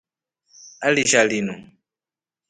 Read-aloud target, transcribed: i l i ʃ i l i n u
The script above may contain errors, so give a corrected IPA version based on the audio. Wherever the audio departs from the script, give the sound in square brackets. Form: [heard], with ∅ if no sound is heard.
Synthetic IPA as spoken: [a] l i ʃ [a] l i n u